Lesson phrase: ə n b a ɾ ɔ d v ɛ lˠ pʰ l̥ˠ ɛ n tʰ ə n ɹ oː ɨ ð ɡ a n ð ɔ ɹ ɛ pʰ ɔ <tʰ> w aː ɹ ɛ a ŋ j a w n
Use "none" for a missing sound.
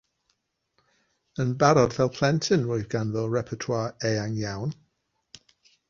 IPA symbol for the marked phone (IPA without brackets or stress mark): tʰ